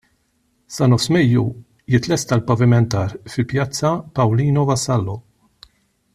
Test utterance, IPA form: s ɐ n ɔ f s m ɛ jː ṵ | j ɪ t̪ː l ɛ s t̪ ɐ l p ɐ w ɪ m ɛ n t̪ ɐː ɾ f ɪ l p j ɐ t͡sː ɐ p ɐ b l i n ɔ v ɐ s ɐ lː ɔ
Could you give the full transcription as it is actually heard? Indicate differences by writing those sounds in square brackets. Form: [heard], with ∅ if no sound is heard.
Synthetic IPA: s ɐ n ɔ f s m ɛ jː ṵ | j ɪ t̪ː l ɛ s t̪ ɐ l p ɐ [v] ɪ m ɛ n t̪ ɐː ɾ f ɪ l p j ɐ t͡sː ɐ p ɐ [w] l [iː] n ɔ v ɐ s ɐ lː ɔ